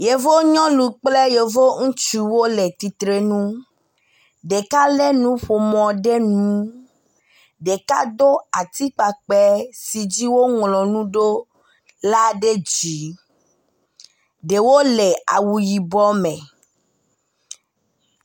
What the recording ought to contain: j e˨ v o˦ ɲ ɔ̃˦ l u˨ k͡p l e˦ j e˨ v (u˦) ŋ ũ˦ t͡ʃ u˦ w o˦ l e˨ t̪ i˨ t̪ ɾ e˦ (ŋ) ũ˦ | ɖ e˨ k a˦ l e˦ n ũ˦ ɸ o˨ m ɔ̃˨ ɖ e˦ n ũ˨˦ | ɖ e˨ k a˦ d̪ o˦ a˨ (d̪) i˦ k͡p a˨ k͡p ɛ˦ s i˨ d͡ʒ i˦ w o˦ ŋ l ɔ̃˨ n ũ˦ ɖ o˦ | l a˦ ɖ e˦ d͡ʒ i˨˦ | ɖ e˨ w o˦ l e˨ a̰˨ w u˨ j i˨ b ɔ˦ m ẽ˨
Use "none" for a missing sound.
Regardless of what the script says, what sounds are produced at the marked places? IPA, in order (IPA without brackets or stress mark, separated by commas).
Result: o˦, n, t̪